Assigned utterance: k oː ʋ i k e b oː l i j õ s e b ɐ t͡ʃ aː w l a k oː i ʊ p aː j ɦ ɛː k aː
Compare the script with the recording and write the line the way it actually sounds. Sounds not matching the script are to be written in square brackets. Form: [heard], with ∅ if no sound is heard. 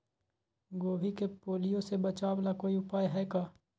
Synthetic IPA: [ɡ] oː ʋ i k e [p] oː l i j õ s e b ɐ t͡ʃ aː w l a k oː i ʊ p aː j ɦ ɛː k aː